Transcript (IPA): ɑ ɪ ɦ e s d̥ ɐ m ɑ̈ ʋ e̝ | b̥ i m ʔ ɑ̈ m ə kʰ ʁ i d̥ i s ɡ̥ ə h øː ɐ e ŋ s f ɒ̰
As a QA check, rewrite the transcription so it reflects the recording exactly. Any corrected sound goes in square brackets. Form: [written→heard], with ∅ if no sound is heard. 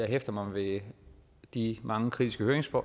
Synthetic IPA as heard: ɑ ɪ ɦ e [s→f] d̥ ɐ m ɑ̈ ʋ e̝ | [b̥→d̥] i m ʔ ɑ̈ [m→ŋ] ə kʰ ʁ i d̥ i s ɡ̥ ə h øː ɐ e ŋ s f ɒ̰

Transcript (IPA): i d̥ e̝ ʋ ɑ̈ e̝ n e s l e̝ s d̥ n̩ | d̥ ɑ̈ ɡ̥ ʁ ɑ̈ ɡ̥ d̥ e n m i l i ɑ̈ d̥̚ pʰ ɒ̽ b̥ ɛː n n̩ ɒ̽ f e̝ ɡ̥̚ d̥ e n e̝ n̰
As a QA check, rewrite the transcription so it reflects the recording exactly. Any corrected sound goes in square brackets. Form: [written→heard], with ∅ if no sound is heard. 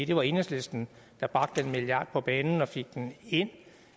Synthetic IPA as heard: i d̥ e̝ ʋ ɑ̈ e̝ n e s l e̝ s d̥ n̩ | d̥ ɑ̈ [ɡ̥→b̥] ʁ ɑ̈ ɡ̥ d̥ e n m i l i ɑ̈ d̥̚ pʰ ɒ̽ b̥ ɛː n n̩ ɒ̽ f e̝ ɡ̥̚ d̥ e n e̝ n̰

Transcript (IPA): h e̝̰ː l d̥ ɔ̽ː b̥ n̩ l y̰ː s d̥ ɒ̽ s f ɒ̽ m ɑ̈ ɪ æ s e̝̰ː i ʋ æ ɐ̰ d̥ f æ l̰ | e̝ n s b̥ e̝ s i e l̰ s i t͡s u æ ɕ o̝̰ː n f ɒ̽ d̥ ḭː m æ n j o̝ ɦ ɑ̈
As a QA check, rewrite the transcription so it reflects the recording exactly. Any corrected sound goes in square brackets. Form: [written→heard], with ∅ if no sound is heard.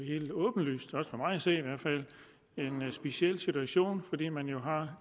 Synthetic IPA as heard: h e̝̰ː l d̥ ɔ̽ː b̥ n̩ l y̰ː s d̥ ɒ̽ s f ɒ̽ m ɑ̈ ɪ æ s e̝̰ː i ʋ æ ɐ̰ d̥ f æ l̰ | e̝ n s b̥ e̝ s i e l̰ s i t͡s u æ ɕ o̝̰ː n f ɒ̽ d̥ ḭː m æ n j o̝ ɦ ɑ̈

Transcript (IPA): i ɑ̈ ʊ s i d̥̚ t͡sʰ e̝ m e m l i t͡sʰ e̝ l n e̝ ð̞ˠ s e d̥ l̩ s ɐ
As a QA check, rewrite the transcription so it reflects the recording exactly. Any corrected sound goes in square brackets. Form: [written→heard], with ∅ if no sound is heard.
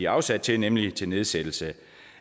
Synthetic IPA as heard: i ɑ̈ ʊ s [i→æ] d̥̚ t͡sʰ e̝ [m→n] e m l i t͡sʰ e̝ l n e̝ ð̞ˠ s e d̥ l̩ s [ɐ→ə]

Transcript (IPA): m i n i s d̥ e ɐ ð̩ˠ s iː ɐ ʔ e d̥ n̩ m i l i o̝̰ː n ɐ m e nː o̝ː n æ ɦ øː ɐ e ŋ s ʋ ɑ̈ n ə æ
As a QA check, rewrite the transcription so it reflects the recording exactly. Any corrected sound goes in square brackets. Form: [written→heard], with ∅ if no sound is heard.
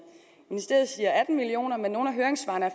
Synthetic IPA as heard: m i n i s d̥ e ɐ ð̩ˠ s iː ɐ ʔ [e→æ] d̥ n̩ m i l i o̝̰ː n ɐ m e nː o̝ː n æ ɦ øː ɐ e ŋ s ʋ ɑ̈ n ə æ

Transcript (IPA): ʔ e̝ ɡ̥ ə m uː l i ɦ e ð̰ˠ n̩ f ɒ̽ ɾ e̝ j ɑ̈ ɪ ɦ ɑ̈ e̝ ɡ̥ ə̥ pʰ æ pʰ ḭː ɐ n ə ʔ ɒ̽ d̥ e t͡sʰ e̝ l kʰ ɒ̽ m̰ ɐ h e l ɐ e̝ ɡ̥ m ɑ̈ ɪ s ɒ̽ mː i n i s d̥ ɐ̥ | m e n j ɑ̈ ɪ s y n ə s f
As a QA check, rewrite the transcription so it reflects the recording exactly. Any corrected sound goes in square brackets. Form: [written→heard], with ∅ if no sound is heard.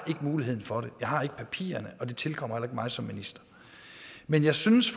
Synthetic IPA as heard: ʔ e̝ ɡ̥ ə m uː l i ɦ e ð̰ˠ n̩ f ɒ̽ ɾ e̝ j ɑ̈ ɪ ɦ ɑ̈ e̝ ɡ̥ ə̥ pʰ æ pʰ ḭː ɐ n ə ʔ ɒ̽ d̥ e t͡sʰ e̝ l kʰ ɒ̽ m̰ ɐ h e l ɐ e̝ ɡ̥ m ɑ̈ ɪ s ɒ̽ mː i n i s d̥ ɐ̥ | m e n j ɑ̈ ɪ s y n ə s f

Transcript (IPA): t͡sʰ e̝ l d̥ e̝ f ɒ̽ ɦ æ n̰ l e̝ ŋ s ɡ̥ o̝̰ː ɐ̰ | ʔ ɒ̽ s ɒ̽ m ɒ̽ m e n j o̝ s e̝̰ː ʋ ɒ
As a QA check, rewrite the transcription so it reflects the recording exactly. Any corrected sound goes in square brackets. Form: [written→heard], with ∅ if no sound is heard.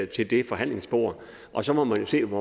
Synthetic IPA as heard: t͡sʰ e̝ l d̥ e̝ f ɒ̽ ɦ æ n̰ l e̝ ŋ s [ɡ̥→b̥] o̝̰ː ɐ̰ | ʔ ɒ̽ s ɒ̽ m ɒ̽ m [e→æ] n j o̝ s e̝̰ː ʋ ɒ

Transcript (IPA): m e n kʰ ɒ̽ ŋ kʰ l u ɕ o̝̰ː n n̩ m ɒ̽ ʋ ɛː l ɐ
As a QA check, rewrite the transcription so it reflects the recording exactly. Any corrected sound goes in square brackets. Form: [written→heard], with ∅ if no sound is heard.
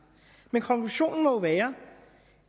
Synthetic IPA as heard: m e n kʰ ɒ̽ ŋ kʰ l u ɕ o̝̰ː n n̩ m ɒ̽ ʋ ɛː [l→∅] ɐ

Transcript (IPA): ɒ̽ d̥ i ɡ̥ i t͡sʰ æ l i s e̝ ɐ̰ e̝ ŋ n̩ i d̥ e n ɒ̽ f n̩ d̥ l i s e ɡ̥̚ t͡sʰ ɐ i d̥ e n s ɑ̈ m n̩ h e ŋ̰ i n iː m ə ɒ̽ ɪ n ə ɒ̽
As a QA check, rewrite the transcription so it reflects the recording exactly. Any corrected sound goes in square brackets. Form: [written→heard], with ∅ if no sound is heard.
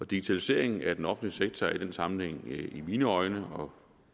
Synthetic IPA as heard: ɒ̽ d̥ i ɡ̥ i t͡sʰ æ l i s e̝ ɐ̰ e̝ ŋ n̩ [i→æ] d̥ e n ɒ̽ f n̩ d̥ l i s e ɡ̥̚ t͡sʰ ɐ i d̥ e n s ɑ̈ m n̩ h e ŋ̰ i [n→m] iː [m→n] ə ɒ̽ ɪ n ə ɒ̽

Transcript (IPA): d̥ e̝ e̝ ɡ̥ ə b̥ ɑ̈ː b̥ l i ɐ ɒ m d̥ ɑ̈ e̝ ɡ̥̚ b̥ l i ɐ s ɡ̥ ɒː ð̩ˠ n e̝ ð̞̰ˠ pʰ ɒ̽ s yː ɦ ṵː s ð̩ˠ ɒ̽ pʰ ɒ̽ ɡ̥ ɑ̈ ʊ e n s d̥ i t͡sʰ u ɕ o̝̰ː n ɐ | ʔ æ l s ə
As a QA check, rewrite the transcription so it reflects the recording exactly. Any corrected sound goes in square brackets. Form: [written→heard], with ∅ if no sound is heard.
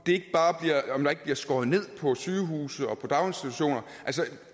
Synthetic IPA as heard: d̥ e̝ e̝ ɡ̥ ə b̥ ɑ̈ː b̥ l i ɐ ɒ m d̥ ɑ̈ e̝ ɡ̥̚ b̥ l i ɐ s ɡ̥ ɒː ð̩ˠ n e̝ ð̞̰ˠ pʰ ɒ̽ s yː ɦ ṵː s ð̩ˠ ɒ̽ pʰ ɒ̽ [ɡ̥→d̥] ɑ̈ ʊ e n s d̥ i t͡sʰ u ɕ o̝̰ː n ɐ | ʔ æ l s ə

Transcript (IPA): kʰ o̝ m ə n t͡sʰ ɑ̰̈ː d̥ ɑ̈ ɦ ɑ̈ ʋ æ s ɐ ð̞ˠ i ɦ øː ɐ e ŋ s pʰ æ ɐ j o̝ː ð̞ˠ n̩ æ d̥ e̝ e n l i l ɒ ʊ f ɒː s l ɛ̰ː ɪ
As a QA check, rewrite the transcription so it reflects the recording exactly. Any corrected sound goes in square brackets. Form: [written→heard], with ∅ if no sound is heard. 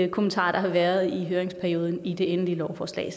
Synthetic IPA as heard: kʰ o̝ m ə n t͡sʰ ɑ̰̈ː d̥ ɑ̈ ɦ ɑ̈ ʋ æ [s→∅] ɐ ð̞ˠ i ɦ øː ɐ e ŋ s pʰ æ ɐ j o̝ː ð̞ˠ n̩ [æ→i] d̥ e̝ e n l i l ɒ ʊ f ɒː s l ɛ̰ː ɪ

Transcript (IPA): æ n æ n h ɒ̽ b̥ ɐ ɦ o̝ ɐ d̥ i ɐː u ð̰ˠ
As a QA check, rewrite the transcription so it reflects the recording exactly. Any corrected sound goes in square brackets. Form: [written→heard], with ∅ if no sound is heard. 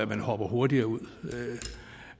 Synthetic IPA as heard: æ [n→m] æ n h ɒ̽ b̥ ɐ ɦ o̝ ɐ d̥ i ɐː u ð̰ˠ

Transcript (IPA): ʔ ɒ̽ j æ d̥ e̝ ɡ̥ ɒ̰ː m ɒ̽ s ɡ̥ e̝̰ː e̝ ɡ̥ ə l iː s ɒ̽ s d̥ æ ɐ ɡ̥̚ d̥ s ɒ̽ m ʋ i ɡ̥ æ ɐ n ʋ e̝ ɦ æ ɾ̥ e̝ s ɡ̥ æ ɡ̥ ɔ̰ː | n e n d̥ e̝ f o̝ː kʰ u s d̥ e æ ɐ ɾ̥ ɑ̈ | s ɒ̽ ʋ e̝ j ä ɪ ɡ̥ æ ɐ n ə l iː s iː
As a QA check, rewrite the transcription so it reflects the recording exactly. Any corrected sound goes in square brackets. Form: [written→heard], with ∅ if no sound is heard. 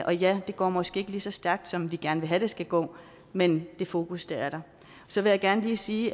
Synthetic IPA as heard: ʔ ɒ̽ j æ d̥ e̝ ɡ̥ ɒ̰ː m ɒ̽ s ɡ̥ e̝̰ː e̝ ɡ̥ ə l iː s ɒ̽ s d̥ æ ɐ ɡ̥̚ d̥ s ɒ̽ m ʋ i ɡ̥ æ ɐ n ʋ e̝ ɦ æ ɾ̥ e̝ s ɡ̥ æ ɡ̥ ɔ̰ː | [n→m] e n d̥ e̝ f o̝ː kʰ u s d̥ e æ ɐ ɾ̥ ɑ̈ | s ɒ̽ ʋ e̝ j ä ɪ ɡ̥ æ ɐ n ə l iː s iː

